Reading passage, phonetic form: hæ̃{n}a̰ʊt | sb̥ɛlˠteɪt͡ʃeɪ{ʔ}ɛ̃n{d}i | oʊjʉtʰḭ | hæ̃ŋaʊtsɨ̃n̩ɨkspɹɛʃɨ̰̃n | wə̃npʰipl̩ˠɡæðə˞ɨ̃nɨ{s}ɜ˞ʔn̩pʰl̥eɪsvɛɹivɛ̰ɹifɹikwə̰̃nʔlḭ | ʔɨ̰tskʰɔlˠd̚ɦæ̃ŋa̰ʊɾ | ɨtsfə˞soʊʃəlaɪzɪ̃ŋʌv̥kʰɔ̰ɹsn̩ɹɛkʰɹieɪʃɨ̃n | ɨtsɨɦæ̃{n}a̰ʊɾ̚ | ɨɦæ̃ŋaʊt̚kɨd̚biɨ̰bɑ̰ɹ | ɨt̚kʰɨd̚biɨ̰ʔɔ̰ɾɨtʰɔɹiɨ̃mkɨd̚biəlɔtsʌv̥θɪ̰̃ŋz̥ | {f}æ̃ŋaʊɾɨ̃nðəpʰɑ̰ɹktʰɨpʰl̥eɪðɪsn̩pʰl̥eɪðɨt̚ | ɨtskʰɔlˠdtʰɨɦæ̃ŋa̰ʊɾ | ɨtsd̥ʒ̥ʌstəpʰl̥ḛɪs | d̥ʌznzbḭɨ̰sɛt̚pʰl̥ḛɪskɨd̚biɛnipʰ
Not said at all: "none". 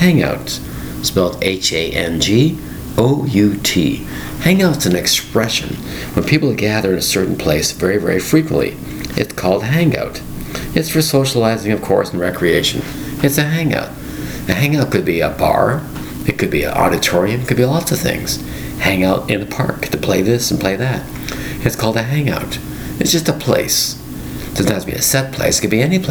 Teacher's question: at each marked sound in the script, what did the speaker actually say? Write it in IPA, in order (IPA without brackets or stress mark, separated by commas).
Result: ŋ, ʔ, d͡ʒ, s, ŋ, h